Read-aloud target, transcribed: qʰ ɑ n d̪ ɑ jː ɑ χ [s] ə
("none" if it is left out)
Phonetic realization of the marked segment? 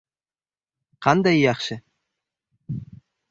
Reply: ʃ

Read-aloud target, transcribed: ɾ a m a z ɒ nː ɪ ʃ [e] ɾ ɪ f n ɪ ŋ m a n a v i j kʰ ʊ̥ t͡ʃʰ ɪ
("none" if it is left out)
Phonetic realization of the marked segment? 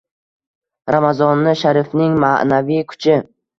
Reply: a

